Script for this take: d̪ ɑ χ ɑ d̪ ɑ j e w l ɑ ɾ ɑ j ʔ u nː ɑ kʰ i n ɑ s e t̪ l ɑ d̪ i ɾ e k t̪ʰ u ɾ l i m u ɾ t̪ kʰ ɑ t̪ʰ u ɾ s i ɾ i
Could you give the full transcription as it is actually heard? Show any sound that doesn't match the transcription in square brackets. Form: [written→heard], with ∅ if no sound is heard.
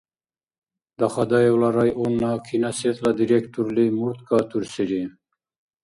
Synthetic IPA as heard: d̪ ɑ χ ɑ d̪ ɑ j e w l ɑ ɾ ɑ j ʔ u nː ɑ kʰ i n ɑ s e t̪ l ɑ d̪ i ɾ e k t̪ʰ u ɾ l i m u ɾ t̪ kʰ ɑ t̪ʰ u ɾ s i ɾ i

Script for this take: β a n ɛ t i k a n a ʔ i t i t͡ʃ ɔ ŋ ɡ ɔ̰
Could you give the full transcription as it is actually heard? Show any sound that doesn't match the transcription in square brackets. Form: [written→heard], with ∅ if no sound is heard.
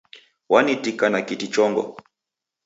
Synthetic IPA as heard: [β→w] a n [ɛ→i] t i k a n a [ʔ→k] i t i t͡ʃ ɔ ŋ ɡ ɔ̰

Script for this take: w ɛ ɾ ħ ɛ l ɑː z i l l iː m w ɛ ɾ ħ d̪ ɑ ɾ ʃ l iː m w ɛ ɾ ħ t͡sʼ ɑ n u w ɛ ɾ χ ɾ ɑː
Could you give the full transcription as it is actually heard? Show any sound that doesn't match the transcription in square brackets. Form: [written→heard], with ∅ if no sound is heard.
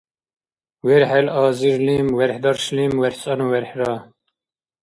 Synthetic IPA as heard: w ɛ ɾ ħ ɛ l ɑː z i [l→ɾ] l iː m w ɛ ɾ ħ d̪ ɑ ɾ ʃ l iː m w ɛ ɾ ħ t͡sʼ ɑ n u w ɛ ɾ [χ→ħ] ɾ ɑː

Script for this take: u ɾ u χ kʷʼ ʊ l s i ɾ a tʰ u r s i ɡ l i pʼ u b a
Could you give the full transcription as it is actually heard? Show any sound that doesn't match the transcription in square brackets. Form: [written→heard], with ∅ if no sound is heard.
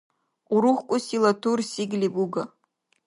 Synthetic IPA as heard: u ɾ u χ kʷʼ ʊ [l→∅] s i [ɾ→l] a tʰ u r s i ɡ l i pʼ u [b→ɡ] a

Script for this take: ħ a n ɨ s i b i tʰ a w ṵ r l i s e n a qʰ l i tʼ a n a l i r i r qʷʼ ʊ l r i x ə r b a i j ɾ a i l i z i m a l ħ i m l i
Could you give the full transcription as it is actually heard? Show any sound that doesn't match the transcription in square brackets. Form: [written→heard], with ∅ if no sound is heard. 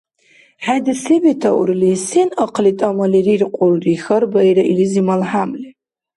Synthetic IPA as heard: ħ a [n→d] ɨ s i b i tʰ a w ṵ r l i s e n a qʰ l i tʼ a [n→m] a l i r i r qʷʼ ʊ l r i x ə r b a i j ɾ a i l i z i m a l ħ [i→a] m l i

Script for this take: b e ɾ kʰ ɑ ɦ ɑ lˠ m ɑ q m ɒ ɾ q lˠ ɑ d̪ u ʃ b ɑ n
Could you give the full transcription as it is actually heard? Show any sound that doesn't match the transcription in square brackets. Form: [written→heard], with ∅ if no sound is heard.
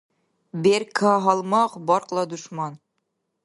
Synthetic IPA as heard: b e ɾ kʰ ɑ ɦ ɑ lˠ m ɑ q [m→b] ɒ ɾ q lˠ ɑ d̪ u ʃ [b→m] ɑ n

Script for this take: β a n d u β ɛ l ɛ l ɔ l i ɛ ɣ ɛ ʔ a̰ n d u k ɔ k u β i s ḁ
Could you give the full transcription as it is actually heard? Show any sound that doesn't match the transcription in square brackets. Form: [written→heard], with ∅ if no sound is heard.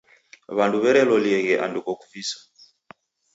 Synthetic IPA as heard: β a n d u β ɛ [l→ɾ] ɛ l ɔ l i ɛ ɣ ɛ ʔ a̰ n d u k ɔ k u [β→v] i s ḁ

